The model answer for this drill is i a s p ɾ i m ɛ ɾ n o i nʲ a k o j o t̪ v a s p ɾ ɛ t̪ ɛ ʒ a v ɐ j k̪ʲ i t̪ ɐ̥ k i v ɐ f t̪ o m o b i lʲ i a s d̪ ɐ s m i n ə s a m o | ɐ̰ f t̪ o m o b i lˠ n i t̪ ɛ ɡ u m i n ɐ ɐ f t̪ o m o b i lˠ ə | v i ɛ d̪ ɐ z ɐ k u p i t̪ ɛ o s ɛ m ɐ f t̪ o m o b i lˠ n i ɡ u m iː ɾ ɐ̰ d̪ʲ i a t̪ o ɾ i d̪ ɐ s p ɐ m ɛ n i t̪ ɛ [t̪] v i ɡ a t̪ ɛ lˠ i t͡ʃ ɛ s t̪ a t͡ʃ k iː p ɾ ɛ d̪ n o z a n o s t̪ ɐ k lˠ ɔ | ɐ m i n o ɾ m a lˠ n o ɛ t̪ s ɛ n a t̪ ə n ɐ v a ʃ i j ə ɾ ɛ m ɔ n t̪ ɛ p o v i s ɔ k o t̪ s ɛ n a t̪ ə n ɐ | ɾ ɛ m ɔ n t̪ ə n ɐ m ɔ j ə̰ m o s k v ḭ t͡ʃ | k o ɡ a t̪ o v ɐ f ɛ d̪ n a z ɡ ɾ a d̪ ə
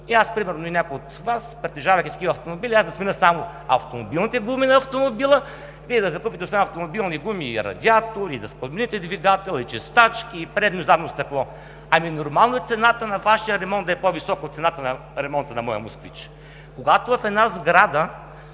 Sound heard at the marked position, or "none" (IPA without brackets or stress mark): d̪